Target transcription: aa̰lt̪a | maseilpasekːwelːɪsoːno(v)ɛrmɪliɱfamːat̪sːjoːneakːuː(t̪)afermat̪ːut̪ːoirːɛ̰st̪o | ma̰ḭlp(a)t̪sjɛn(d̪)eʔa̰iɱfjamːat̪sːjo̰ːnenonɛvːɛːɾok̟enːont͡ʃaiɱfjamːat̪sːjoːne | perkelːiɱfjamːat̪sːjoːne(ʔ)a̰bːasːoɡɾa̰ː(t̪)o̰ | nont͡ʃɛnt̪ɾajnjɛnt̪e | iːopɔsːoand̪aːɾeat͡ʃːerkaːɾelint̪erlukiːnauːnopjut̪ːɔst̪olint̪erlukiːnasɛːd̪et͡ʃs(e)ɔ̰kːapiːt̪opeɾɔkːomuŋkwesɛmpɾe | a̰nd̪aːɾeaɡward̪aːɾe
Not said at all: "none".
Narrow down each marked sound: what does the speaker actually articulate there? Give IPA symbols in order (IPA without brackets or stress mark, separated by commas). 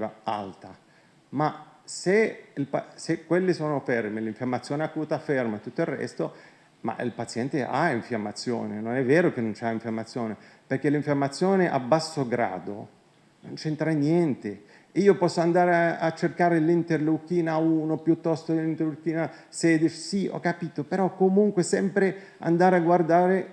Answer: f, t̪, a, t̪, ʔ, d̪, i